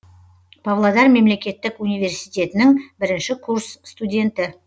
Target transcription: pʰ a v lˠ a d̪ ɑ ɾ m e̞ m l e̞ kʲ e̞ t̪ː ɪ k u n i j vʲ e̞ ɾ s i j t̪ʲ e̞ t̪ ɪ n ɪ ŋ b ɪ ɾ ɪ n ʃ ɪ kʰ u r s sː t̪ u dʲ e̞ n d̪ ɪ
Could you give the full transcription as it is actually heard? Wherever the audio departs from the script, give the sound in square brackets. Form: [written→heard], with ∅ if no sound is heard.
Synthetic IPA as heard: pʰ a v lˠ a d̪ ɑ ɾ m e̞ m l e̞ kʲ e̞ t̪ː ɪ k u n i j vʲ e̞ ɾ s i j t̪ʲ e̞ t̪ ɪ n ɪ ŋ b ɪ ɾ ɪ n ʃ ɪ kʰ u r s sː t̪ u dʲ e̞ n [d̪→t̪] ɪ